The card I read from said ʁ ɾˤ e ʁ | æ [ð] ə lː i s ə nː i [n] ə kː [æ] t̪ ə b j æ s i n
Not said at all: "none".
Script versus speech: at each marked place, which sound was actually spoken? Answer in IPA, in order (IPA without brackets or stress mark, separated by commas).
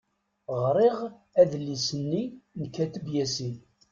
ð, n, æ